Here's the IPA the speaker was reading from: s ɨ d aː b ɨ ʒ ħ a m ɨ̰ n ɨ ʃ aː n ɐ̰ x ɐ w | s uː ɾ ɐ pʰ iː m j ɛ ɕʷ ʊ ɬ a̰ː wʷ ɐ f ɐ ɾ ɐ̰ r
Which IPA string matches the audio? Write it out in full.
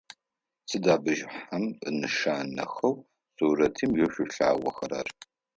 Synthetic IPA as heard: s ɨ d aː b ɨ ʒ ħ a m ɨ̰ n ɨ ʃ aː n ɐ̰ x ɐ w | s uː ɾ ɐ tʰ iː m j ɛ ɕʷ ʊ ɬ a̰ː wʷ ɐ x ɐ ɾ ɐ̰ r

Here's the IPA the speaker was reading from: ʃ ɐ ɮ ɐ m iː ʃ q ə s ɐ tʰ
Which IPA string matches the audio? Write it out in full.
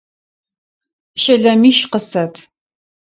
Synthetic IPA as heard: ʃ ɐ ɮ ɐ m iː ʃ q ə s ɐ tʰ

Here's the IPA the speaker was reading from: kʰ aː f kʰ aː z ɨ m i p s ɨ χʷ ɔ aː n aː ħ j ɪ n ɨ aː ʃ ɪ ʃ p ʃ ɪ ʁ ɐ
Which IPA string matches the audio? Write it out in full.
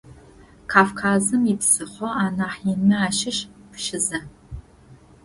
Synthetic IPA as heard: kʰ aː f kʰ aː z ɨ m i p s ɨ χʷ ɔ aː n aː ħ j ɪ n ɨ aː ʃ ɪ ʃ p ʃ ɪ z ɐ

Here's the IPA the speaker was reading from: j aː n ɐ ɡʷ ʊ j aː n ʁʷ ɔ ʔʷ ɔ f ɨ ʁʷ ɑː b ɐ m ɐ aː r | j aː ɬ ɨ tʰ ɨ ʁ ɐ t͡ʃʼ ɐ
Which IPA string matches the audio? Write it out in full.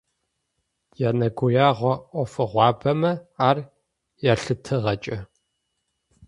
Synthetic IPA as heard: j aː n ɐ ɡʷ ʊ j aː ʁʷ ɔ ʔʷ ɔ f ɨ ʁʷ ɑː b ɐ m ɐ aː r | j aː ɬ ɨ tʰ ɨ ʁ ɐ t͡ʃʼ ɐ

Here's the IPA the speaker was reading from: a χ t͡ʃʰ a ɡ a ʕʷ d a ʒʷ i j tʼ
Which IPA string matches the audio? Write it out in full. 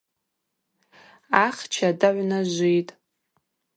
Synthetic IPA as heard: a χ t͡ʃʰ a d a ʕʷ n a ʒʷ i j tʼ

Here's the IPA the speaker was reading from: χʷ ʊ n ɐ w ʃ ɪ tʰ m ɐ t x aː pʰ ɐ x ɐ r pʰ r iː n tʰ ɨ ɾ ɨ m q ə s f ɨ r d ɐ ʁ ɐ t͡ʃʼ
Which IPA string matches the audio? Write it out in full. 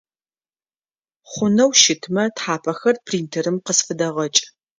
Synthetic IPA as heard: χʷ ʊ n ɐ w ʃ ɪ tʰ m ɐ t ħ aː pʰ ɐ x ɐ r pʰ r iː n tʰ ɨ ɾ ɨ m q ə s f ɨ d ɐ ʁ ɐ t͡ʃʼ

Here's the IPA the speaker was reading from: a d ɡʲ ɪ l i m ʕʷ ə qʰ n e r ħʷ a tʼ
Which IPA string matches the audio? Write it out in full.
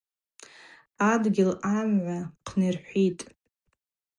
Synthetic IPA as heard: a d ɡʲ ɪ l a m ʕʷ a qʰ n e r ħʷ i tʼ

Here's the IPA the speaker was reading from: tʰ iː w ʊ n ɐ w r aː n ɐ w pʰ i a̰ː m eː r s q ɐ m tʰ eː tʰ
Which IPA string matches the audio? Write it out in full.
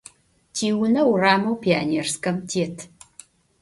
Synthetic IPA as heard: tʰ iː w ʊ n ɐ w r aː m ɐ w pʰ i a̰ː n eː r s k ɐ m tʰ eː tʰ

